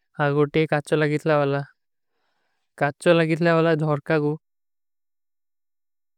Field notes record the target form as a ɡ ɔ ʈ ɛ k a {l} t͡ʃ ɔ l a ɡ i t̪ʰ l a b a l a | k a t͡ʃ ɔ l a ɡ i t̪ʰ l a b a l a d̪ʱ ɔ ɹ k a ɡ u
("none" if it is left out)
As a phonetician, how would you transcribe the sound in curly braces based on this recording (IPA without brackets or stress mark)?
none